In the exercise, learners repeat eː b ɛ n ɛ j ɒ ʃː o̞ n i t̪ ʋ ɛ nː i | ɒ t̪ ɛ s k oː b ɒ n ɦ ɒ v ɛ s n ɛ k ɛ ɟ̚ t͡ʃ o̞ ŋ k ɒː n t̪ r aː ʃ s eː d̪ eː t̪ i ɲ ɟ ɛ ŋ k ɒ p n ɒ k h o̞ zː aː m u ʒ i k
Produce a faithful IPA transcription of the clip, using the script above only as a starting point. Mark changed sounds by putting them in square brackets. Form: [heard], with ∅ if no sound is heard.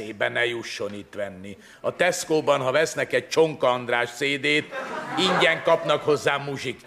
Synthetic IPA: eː b ɛ n ɛ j [u] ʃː o̞ n i t̪ ʋ ɛ nː i | ɒ t̪ ɛ s k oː b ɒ n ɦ ɒ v ɛ s n ɛ k ɛ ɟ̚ t͡ʃ o̞ ŋ k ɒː n [d̪] r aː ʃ s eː d̪ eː t̪ i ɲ ɟ ɛ ŋ k ɒ p n ɒ k h o̞ zː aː m u ʒ i k